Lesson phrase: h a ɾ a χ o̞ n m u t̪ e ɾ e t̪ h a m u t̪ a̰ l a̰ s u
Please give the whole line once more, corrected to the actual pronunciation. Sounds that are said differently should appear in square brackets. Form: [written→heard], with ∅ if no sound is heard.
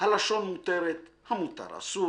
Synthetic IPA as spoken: h a [ɾ→l] a [χ→ʃ] o̞ n m u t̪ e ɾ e t̪ h a m u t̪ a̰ [l→ɾ] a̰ s u